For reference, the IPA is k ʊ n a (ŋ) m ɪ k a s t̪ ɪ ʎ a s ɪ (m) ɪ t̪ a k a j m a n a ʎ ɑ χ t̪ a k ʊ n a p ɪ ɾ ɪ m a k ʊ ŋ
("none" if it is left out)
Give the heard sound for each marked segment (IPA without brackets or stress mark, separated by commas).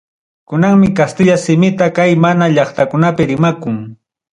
ŋ, m